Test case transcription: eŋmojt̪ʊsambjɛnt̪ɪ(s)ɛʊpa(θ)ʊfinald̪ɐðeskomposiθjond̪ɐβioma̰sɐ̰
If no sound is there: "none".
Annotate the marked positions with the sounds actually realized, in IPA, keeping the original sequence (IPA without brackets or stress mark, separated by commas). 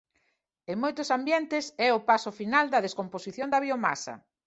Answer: s, s